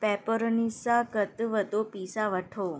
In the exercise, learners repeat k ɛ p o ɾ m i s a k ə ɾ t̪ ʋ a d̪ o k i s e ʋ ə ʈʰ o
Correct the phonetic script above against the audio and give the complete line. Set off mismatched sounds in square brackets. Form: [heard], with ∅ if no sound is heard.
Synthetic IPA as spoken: [p] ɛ p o ɾ [n] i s a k ə [∅] t̪ ʋ [ə] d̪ o [p] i s [a] ʋ ə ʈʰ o